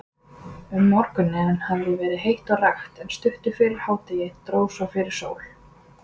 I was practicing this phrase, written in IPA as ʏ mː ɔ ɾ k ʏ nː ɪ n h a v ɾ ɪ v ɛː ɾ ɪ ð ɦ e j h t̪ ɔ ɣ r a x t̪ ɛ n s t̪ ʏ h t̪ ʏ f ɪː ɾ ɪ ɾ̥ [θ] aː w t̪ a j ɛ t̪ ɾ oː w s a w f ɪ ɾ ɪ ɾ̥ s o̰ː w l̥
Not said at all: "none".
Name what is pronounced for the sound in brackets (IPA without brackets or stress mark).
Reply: h